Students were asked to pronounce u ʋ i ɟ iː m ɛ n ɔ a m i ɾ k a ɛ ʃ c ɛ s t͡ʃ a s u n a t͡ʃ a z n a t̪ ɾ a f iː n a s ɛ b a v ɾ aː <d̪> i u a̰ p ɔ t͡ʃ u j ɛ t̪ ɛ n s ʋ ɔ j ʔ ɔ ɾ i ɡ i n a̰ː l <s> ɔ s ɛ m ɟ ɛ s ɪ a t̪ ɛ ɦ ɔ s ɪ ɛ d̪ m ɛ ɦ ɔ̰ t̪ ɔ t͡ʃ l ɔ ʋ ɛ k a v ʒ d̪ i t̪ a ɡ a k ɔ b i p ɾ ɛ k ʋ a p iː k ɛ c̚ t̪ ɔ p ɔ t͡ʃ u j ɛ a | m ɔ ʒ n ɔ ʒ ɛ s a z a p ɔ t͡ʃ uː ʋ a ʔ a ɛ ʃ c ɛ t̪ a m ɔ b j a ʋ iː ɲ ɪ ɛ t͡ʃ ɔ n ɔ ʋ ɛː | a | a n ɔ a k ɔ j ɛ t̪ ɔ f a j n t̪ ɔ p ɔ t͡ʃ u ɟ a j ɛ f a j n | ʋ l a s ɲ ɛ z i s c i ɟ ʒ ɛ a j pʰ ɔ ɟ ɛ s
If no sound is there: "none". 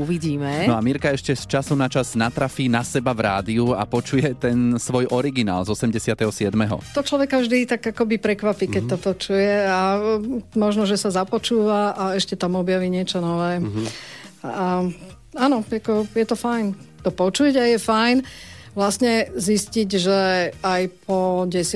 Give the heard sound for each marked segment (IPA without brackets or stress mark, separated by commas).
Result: d̪, z